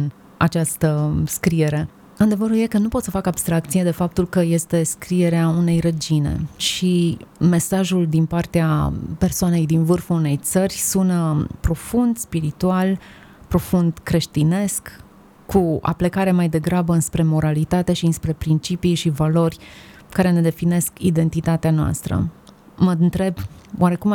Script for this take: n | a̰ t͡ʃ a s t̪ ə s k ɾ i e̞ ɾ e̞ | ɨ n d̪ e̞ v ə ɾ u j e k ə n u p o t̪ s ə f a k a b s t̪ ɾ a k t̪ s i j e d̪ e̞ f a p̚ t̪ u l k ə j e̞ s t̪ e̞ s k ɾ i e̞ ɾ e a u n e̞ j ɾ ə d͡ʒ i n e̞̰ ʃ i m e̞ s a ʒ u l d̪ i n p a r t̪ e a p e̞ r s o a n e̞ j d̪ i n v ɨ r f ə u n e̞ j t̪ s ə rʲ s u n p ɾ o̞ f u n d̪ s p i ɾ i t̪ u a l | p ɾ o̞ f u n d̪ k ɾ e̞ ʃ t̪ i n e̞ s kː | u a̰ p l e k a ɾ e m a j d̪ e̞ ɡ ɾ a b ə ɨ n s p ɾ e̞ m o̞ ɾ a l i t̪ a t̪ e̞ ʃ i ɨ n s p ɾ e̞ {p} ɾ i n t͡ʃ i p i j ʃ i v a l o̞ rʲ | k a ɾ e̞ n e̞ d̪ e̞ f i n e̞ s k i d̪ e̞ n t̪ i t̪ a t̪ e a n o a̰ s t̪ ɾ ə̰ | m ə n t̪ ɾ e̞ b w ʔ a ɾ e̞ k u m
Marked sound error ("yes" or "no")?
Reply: no